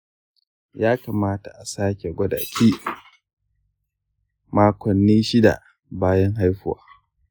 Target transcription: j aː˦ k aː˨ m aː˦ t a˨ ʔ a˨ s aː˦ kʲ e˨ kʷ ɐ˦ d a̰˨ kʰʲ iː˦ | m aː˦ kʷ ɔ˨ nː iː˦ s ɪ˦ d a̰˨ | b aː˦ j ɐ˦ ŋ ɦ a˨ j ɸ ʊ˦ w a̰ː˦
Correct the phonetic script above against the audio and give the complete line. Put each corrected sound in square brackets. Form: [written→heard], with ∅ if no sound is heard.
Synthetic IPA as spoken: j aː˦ k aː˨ m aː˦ t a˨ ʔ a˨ s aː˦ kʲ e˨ [kʷ→ɡʷ] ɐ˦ d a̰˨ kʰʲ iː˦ | m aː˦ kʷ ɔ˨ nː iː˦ [s→ʃ] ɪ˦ d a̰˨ | b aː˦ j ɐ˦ ŋ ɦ [a˨→a˦] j ɸ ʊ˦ w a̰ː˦